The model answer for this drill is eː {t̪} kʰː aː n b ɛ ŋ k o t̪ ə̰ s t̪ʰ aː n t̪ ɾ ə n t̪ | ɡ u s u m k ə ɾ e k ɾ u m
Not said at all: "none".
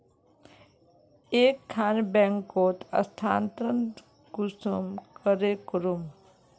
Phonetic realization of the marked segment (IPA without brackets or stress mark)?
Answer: none